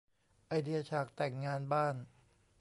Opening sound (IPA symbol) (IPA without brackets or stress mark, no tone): ʔ